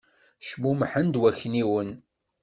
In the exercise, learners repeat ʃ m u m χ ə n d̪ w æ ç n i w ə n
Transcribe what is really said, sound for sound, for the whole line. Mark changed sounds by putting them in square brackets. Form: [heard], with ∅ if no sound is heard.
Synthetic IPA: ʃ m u m [ħ] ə n d̪ w æ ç n i w ə n